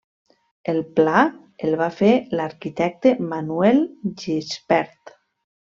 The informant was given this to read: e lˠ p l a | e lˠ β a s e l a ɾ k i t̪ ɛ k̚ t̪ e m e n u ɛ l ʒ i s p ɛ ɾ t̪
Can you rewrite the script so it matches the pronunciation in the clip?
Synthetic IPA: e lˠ p l a | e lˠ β a f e l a ɾ k i t̪ ɛ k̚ t̪ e m a n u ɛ l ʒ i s p ɛ ɾ t̪